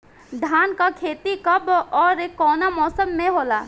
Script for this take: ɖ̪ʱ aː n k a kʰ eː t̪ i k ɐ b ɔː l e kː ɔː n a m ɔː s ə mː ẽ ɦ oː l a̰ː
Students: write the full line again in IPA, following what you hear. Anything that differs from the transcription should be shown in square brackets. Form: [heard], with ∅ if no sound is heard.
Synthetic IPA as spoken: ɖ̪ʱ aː n k a kʰ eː t̪ i k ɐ b ɔː [ɾ] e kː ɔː n a m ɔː s ə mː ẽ ɦ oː l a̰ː